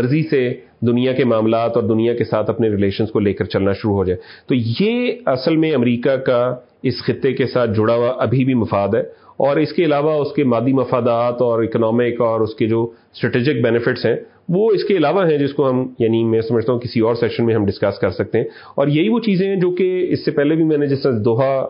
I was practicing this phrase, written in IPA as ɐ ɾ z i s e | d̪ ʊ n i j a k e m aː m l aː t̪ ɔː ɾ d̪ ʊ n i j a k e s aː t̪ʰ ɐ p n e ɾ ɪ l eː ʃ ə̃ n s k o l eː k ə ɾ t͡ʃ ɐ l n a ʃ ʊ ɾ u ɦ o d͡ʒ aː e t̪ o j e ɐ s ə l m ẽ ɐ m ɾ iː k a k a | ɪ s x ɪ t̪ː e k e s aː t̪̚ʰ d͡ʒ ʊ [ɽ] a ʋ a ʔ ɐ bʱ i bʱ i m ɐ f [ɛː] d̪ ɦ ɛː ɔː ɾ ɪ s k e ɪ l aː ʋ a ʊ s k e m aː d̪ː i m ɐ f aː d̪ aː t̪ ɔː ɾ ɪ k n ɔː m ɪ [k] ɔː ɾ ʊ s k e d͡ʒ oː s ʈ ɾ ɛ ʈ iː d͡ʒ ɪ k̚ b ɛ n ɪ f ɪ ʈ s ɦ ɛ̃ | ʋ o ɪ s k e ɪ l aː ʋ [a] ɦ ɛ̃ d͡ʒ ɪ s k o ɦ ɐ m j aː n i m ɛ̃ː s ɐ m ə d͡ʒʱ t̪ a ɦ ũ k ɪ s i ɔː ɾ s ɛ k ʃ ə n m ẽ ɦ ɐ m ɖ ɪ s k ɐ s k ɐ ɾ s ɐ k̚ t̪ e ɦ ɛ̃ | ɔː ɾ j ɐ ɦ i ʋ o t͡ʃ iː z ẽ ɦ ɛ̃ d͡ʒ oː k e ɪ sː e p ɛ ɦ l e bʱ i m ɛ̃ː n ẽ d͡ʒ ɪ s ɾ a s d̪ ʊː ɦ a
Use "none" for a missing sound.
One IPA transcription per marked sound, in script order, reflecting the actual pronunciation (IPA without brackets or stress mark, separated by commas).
ɽ, aː, k, a